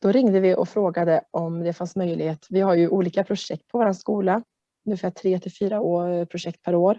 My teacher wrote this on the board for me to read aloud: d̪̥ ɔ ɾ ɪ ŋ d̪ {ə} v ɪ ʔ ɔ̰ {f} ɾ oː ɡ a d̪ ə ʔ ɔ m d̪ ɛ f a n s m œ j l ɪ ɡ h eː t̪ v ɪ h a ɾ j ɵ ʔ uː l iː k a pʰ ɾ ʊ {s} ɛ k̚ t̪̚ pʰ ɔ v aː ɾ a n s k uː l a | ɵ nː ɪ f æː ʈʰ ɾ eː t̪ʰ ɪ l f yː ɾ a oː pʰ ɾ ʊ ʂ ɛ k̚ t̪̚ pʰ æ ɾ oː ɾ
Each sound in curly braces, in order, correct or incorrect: correct, correct, incorrect

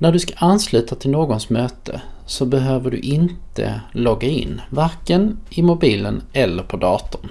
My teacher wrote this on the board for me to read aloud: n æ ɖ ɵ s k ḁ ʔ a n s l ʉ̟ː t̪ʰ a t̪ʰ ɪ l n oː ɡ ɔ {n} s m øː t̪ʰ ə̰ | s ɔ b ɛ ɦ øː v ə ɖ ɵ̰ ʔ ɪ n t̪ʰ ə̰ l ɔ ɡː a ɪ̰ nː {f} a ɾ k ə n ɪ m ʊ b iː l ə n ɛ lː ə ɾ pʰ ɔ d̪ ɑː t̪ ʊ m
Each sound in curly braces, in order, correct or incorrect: correct, incorrect

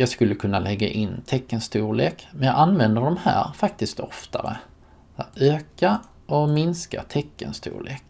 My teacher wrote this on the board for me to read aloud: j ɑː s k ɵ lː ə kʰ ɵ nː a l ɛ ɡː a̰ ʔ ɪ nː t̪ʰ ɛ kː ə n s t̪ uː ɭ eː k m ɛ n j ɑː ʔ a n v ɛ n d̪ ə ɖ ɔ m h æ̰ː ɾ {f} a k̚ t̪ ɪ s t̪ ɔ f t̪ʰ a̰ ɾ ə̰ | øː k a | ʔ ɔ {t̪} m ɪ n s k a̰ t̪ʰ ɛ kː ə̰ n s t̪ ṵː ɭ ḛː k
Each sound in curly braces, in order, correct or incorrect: correct, incorrect

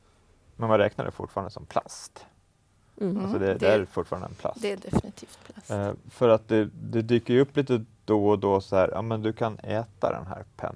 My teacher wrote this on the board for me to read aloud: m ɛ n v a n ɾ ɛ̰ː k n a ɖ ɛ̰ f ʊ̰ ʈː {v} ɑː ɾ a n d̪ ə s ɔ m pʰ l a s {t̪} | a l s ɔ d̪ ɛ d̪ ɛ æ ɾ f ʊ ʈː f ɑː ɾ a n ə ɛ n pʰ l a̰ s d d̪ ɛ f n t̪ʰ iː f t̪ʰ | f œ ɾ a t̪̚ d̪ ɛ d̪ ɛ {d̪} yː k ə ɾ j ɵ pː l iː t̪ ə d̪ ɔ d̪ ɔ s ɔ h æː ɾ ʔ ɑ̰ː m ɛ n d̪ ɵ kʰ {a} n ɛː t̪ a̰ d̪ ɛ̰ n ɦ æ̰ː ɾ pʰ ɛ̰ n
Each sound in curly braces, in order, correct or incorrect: incorrect, correct, correct, correct

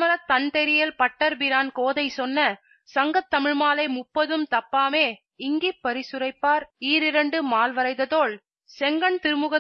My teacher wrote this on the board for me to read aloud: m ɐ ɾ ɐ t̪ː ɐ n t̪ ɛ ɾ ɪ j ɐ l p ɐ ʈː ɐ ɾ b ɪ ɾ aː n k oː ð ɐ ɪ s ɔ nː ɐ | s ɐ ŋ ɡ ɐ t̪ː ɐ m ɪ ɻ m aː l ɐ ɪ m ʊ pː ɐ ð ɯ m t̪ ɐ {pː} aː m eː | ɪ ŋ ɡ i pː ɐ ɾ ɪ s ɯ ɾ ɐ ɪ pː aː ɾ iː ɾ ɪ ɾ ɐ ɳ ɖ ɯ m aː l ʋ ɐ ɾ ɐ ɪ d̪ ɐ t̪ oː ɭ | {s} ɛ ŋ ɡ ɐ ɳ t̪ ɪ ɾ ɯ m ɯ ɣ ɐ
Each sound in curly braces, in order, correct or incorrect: correct, correct

